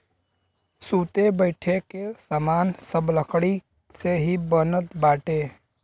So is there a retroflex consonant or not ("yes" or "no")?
yes